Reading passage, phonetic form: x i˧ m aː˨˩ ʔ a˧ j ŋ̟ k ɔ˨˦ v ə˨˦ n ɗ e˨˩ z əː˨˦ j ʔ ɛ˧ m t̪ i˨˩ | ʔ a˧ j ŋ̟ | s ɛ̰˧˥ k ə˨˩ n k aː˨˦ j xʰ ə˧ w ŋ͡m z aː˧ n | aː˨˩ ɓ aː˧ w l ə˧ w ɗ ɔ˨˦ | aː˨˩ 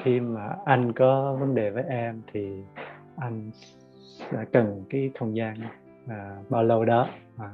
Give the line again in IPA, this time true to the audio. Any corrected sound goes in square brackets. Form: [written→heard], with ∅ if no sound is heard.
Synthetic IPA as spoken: x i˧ m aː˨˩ ʔ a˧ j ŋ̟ k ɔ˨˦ v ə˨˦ n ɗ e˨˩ [z→v] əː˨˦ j ʔ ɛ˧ m [t̪→t̪ʰ] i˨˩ | ʔ a˧ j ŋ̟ | s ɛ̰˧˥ k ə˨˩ n k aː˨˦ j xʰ ə˧ w ŋ͡m z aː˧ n | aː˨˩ ɓ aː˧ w l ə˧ w ɗ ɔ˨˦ | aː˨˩